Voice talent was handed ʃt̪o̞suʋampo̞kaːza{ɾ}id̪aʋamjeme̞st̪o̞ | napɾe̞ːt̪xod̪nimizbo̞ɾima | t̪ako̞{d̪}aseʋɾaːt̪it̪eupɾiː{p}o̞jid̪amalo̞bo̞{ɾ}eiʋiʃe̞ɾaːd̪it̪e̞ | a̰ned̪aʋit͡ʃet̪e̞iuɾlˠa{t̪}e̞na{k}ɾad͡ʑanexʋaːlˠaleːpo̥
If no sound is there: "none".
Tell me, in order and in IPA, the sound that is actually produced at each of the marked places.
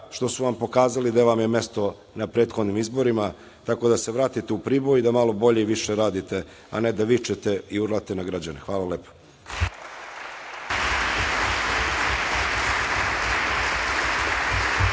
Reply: l, d̪, b, ʎ, t̪, ɡ

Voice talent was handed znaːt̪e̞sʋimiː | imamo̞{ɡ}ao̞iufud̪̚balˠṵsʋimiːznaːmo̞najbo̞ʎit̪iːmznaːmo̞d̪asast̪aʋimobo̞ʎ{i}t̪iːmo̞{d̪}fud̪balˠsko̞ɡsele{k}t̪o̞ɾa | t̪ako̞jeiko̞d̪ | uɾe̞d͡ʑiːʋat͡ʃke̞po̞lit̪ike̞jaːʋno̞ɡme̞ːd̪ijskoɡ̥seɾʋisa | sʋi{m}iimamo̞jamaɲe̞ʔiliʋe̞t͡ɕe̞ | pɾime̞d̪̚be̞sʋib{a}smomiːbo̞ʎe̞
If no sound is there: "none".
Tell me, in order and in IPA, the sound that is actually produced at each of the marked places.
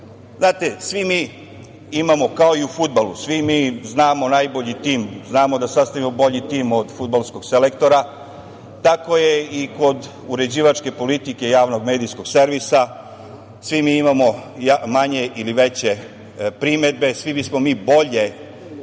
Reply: k, i, d̪, k, m, i

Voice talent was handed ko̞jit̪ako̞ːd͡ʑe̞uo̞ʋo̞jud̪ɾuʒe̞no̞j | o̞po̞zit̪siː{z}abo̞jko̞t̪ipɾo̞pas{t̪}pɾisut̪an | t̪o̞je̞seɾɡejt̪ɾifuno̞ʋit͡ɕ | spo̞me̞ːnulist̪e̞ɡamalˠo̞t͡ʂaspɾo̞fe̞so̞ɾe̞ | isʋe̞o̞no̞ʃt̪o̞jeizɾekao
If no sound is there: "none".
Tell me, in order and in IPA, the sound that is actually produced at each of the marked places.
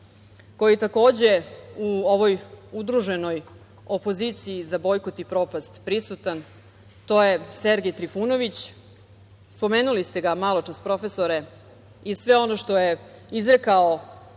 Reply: z, t̪

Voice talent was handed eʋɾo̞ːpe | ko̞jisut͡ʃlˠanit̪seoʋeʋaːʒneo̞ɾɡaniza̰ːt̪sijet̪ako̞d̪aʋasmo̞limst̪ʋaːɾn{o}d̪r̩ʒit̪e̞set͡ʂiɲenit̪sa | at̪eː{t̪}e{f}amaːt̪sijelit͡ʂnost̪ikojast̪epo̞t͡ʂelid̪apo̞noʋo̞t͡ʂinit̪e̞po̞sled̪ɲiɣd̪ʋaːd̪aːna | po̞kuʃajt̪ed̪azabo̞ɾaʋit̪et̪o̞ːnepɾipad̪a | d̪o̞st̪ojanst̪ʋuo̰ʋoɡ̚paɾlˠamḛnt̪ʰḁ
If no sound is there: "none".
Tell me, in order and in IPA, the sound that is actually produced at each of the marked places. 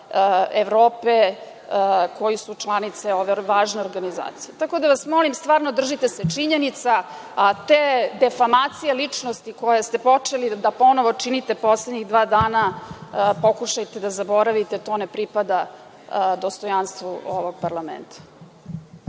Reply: o, d̪, f

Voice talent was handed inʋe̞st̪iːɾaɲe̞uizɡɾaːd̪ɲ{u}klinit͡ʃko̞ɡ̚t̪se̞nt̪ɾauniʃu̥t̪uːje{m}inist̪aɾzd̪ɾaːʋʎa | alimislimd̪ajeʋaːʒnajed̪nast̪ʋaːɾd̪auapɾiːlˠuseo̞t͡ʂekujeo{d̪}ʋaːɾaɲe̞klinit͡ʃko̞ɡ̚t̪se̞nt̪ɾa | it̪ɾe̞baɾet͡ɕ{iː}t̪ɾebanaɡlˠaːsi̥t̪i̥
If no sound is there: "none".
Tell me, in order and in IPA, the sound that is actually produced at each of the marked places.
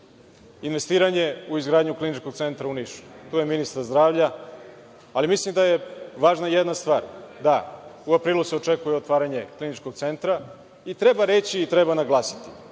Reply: u, m, t̪, iː

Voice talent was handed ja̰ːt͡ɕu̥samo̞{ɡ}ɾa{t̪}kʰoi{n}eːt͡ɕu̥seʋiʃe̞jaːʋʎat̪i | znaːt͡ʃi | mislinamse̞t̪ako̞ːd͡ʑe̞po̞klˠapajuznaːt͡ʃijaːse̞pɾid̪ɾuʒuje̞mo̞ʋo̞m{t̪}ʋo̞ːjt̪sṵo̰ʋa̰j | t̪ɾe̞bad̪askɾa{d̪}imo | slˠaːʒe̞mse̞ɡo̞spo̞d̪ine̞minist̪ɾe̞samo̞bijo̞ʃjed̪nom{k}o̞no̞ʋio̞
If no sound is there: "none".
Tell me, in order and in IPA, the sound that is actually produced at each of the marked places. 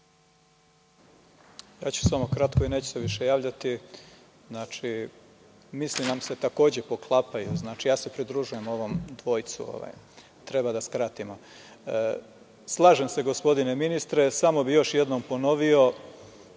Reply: k, t̪, n, d̪, t̪, p

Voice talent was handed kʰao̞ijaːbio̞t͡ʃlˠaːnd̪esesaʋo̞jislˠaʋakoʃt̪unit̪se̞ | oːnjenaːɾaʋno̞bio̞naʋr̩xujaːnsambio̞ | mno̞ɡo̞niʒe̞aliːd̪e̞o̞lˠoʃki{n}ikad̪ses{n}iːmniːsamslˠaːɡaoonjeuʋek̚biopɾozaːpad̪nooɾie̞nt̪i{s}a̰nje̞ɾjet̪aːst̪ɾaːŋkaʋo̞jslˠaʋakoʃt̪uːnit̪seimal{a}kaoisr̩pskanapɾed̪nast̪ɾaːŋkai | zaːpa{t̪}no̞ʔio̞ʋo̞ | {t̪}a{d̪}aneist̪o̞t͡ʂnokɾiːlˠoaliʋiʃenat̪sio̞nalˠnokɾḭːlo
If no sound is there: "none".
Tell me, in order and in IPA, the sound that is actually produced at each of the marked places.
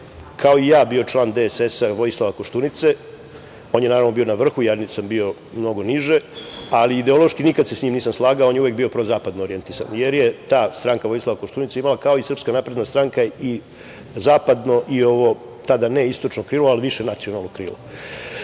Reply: n, ɲ, s, a, d̪, t̪, d̪

